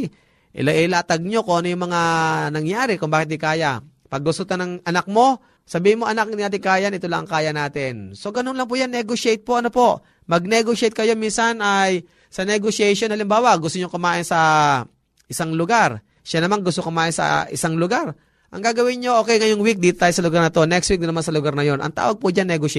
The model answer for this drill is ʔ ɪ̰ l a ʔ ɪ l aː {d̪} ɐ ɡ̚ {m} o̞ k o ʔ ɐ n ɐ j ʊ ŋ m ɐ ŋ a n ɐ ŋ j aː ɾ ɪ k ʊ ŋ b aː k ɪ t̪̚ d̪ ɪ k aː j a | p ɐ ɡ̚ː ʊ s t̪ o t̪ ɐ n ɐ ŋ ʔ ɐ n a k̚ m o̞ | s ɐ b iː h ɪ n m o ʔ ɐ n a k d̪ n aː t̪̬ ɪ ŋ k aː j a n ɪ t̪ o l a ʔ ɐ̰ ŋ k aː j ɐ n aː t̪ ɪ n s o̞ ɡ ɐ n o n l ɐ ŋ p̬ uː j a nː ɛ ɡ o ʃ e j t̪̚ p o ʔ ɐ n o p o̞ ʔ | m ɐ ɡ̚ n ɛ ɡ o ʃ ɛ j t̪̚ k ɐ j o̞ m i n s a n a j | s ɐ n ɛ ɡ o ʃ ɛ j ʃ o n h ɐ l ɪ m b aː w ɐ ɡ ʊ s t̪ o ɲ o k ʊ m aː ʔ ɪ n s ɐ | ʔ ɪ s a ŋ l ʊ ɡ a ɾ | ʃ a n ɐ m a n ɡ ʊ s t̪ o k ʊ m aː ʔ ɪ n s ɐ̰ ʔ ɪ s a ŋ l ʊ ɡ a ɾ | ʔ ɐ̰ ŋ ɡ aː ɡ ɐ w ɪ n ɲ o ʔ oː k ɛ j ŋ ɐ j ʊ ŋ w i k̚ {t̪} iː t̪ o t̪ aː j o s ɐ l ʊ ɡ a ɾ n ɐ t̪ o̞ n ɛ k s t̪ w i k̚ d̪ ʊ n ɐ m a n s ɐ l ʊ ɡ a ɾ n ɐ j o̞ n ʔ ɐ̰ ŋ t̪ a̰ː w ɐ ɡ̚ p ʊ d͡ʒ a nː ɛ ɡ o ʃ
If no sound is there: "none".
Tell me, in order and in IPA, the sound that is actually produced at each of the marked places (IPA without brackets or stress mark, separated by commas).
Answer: t̪, ɲ, d̪